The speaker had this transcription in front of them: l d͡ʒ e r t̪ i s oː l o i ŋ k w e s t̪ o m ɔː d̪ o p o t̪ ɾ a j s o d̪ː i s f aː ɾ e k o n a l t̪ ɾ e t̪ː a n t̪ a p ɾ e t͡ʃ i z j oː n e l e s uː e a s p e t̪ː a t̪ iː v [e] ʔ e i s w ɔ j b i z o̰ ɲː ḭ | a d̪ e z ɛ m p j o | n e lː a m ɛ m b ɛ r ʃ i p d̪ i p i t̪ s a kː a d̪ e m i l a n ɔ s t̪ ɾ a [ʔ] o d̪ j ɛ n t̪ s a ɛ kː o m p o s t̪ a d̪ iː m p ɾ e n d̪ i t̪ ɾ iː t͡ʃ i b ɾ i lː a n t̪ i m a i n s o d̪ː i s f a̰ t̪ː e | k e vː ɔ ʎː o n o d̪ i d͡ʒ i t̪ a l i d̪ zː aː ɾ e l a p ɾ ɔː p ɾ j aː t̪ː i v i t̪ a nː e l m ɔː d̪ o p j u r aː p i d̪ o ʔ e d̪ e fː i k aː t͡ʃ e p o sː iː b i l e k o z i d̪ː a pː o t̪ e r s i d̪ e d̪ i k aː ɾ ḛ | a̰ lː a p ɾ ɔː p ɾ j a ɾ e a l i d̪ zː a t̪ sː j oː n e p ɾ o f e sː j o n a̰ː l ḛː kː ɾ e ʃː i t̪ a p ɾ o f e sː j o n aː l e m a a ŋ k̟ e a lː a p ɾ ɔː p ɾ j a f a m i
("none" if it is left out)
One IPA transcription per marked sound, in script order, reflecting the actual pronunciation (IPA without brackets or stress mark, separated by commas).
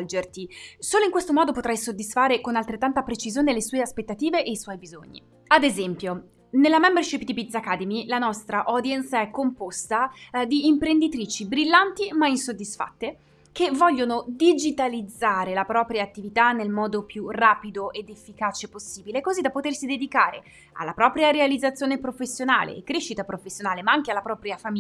e, ʔ